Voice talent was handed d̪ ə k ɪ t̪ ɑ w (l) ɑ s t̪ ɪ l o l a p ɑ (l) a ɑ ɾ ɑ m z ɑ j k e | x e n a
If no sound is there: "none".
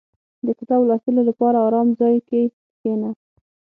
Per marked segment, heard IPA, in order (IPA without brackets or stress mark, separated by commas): l, ɾ